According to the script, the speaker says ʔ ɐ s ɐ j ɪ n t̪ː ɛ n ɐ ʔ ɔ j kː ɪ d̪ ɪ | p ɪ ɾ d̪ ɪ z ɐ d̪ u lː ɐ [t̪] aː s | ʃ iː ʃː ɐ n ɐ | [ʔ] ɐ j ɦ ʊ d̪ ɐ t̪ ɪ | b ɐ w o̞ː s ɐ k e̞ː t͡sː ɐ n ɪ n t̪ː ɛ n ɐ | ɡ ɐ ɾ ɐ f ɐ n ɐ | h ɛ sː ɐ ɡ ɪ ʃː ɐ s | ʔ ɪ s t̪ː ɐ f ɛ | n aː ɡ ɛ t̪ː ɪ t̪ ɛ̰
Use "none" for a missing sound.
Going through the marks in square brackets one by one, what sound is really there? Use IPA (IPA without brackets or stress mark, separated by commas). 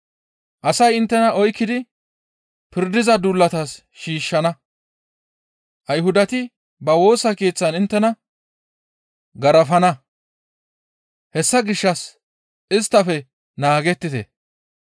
t̪, ʔ